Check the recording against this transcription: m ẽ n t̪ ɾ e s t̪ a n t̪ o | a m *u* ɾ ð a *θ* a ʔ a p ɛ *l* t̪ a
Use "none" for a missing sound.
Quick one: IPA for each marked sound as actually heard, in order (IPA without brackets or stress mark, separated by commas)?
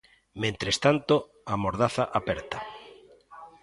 o, θ, ɾ